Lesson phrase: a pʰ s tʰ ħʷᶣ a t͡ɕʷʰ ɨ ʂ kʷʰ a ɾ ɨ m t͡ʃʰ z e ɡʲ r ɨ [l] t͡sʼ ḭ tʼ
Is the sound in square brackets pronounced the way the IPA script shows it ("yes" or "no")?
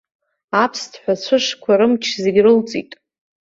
yes